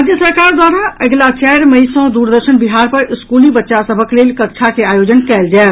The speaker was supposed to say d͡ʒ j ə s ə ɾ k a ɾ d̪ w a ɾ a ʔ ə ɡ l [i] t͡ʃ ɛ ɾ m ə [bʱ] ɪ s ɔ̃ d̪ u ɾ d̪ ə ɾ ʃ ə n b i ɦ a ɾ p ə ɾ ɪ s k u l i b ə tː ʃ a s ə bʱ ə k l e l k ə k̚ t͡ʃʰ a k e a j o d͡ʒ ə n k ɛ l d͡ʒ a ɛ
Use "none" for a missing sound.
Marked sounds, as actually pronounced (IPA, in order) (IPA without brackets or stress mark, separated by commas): a, none